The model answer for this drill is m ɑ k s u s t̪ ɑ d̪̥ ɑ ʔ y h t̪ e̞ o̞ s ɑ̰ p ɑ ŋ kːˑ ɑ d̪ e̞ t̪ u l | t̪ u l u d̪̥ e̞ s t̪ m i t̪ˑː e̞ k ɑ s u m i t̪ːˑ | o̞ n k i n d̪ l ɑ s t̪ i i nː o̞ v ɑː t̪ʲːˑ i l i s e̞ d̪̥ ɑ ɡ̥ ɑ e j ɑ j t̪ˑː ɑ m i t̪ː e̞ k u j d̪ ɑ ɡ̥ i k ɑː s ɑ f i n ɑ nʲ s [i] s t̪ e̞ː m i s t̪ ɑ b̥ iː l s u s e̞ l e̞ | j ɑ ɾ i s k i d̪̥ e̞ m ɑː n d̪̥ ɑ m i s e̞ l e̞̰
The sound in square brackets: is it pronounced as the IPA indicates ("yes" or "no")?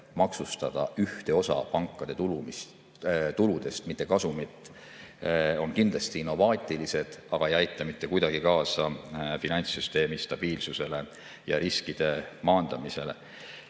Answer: no